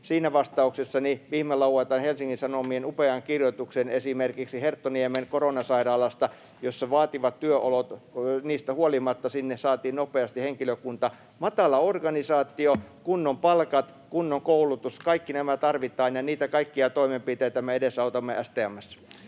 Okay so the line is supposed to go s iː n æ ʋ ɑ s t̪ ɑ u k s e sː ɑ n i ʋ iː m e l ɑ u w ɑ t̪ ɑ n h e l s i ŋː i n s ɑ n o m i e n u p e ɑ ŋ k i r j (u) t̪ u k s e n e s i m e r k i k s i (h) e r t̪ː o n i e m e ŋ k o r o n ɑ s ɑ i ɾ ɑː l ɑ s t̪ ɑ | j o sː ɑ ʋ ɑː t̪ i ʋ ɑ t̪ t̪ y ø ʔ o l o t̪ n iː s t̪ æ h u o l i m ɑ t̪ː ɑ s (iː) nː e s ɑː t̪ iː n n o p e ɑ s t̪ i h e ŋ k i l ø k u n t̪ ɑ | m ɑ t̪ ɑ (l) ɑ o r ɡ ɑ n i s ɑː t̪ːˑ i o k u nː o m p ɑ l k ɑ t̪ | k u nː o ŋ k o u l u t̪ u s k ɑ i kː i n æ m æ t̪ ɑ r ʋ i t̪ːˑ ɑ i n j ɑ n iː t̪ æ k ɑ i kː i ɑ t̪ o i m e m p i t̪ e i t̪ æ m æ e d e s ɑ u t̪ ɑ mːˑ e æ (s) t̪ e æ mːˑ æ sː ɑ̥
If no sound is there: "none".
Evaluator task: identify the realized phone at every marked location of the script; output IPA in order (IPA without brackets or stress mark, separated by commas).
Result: o, h, i, l, s